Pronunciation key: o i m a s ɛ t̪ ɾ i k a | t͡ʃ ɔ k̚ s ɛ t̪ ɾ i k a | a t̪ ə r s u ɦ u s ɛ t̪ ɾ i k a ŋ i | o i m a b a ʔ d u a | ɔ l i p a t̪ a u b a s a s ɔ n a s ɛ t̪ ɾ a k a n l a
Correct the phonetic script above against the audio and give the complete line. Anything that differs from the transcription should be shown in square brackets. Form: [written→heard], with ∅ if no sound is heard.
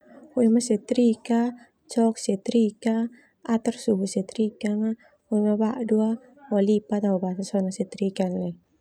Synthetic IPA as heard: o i m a s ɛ t̪ ɾ i k a | t͡ʃ ɔ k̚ s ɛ t̪ ɾ i k a | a t̪ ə r s u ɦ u s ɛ t̪ ɾ i k a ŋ [i→a] | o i m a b a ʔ d u a | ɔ l i p a t̪ a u b a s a s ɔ n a s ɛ t̪ ɾ [a→i] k a n l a